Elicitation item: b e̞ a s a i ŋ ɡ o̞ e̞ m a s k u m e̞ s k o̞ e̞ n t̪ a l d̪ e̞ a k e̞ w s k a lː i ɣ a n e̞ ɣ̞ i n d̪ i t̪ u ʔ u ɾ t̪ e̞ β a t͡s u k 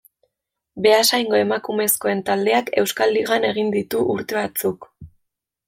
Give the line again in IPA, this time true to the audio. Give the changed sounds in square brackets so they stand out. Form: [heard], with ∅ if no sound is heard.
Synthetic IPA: b e̞ a s a [j] ŋ ɡ o̞ e̞ m a [∅] k u m e̞ s k o̞ e̞ n t̪ a l d̪ e̞ a k e̞ w s k a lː i ɣ a n e̞ ɣ̞ i n d̪ i t̪ u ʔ u ɾ t̪ e̞ β a t͡s u k